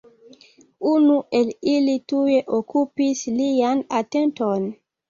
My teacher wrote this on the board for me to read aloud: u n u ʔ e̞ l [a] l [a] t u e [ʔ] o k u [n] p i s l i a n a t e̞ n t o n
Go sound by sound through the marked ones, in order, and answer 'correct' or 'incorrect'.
incorrect: i, incorrect: i, correct, incorrect: none

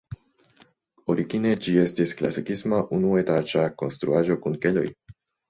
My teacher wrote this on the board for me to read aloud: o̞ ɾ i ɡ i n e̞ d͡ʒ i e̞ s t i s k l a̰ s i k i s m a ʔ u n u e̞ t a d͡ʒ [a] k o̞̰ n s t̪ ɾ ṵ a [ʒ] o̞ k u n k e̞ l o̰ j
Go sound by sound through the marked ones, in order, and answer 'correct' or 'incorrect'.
correct, correct

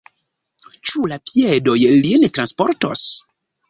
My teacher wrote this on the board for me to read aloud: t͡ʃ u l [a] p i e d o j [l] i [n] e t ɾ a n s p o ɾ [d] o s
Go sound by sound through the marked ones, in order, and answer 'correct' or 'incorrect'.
correct, correct, correct, incorrect: t

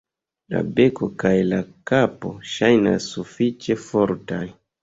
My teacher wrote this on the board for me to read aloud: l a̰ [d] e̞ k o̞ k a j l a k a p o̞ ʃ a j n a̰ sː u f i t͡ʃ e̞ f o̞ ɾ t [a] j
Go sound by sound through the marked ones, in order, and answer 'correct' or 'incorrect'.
incorrect: b, correct

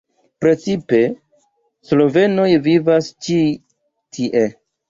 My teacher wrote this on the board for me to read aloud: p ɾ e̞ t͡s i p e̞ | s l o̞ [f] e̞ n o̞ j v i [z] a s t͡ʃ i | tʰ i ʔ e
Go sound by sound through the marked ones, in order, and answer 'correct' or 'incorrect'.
incorrect: v, incorrect: v

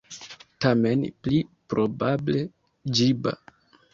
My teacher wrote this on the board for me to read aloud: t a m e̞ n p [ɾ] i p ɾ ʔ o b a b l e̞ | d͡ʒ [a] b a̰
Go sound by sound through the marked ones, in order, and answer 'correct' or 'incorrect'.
incorrect: l, incorrect: i

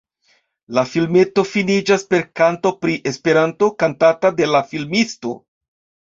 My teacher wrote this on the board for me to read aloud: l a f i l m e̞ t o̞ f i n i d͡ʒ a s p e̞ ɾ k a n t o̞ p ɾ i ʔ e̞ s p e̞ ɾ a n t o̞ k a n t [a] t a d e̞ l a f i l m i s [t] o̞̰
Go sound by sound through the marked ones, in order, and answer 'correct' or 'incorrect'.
correct, correct

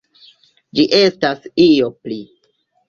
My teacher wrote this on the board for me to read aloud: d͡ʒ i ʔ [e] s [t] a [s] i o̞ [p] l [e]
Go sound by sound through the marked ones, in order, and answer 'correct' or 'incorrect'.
correct, correct, correct, correct, incorrect: i

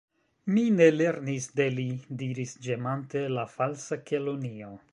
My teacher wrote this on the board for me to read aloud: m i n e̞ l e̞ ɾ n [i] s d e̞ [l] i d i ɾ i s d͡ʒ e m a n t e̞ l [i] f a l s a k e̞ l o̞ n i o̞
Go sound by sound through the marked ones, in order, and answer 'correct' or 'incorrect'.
correct, correct, incorrect: a

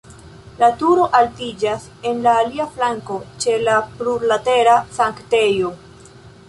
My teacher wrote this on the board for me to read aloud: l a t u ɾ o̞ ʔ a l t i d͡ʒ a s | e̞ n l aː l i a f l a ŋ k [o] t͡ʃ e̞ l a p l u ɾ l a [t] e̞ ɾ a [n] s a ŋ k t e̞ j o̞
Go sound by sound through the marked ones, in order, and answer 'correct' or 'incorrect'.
correct, correct, incorrect: none

